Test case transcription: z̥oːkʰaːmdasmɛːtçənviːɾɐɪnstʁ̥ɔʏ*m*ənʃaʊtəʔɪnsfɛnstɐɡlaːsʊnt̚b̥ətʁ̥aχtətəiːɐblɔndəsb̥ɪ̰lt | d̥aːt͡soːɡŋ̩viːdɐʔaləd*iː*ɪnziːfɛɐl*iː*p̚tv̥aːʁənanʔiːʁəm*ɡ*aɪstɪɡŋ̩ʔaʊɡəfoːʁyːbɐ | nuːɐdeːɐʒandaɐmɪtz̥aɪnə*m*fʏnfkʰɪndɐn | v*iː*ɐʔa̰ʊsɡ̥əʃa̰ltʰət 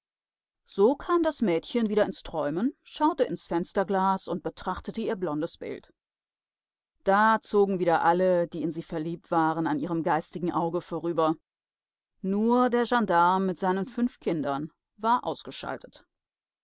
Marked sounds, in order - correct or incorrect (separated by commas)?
correct, correct, correct, correct, incorrect, incorrect